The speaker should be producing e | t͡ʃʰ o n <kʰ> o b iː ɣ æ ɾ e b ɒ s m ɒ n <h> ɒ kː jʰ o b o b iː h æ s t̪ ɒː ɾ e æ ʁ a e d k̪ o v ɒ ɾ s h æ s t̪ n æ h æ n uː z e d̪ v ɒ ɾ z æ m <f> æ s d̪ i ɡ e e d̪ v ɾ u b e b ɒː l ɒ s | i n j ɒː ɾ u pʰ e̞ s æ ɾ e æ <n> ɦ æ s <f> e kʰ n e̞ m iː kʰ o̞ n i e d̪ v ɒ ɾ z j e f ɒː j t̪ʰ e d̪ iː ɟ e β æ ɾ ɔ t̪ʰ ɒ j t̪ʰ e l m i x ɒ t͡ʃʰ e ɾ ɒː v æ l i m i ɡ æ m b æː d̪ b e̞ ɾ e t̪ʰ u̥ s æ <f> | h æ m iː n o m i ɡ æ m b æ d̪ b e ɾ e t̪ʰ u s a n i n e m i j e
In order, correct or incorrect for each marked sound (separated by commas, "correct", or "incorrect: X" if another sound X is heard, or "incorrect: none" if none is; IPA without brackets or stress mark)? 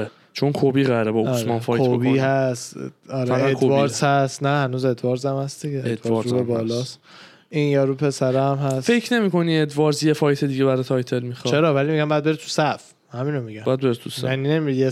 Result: correct, incorrect: f, incorrect: h, incorrect: m, correct, correct